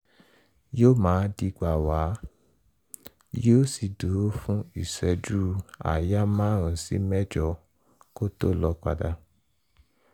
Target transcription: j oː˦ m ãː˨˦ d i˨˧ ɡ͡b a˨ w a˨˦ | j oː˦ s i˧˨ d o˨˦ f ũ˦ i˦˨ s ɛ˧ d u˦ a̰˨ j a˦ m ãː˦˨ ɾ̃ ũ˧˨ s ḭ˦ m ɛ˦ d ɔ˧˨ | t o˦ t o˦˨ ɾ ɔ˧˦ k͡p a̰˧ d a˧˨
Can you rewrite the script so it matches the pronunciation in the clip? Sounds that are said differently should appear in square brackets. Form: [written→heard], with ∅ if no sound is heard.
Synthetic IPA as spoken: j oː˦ m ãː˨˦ d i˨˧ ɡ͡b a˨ w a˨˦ | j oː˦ s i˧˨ d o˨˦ f ũ˦ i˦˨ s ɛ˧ [d→d͡ʒ] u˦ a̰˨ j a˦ m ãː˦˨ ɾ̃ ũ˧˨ s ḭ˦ m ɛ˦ [d→d͡ʒ] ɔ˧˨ | [t→k] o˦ t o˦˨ [ɾ→l] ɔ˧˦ k͡p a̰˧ d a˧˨